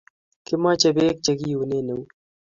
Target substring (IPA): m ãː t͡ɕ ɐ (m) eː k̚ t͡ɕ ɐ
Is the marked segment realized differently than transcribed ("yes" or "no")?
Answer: yes